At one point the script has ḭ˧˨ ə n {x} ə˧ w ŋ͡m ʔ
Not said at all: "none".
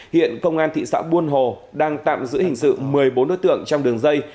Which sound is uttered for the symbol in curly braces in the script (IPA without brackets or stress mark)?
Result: k